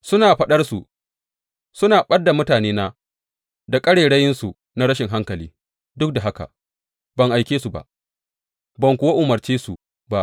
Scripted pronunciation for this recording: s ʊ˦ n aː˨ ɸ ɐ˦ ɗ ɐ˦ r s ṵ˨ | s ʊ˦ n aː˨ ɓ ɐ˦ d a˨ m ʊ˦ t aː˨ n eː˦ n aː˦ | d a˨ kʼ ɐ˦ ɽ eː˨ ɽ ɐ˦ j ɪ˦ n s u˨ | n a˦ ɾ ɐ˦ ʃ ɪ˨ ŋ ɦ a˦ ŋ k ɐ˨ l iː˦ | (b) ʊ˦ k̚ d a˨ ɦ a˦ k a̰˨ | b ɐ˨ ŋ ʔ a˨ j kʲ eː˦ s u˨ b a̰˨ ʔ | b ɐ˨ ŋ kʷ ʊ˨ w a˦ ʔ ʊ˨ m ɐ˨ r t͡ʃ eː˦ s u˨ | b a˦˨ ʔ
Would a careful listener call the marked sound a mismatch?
yes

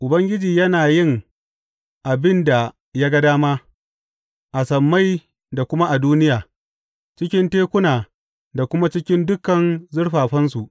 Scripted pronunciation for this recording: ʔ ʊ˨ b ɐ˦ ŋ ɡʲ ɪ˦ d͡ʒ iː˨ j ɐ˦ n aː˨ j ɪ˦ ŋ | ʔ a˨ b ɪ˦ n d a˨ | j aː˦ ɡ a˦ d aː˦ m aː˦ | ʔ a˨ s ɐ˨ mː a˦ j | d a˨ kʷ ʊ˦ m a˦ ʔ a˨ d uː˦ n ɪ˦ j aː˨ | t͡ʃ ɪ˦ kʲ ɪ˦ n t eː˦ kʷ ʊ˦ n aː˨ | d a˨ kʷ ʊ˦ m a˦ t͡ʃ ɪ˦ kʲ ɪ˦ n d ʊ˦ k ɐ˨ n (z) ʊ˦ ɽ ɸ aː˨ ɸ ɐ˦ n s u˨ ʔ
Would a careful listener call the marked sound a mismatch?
no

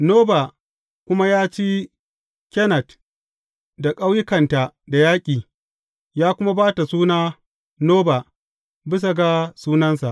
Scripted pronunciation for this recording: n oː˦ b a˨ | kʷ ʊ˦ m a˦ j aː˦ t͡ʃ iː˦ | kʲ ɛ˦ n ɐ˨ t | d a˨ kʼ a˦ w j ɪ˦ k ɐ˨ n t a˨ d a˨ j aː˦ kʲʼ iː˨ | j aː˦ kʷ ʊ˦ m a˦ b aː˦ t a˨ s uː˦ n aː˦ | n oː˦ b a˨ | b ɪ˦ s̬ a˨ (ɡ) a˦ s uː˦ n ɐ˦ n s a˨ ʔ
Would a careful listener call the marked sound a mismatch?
no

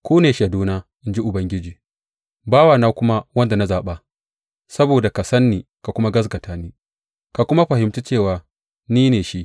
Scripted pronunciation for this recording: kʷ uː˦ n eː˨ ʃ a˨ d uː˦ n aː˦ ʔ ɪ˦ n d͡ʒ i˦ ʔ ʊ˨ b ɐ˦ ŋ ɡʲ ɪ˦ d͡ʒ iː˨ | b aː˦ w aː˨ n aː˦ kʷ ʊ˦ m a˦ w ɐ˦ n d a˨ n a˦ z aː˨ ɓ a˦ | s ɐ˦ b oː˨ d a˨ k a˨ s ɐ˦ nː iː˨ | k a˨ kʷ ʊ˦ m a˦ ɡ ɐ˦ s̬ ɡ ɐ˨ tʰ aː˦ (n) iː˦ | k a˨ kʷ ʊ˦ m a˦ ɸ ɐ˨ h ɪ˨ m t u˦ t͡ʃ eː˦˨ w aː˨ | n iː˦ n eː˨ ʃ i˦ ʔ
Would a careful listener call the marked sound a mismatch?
no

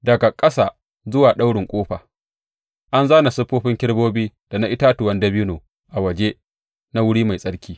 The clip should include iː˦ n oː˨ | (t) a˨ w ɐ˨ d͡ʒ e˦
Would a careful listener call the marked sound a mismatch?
yes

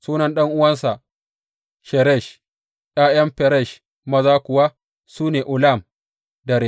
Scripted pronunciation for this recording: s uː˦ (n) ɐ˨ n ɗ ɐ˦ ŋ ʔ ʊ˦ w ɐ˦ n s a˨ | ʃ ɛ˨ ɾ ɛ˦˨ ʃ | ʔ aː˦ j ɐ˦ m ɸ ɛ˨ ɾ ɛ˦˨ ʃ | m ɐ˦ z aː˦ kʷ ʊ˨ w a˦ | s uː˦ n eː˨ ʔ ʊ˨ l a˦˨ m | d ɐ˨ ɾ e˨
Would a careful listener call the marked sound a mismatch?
no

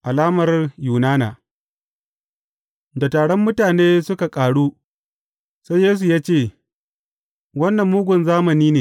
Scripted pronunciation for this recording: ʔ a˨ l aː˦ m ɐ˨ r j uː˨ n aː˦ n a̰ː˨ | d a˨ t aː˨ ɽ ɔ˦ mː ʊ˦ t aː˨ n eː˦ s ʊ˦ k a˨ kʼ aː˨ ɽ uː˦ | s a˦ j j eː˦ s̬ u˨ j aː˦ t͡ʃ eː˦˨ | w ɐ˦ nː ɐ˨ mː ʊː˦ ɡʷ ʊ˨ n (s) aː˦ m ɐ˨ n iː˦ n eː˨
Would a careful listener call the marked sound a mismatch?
yes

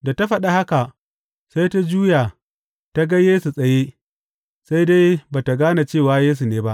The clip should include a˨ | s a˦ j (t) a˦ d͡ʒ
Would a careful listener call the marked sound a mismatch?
no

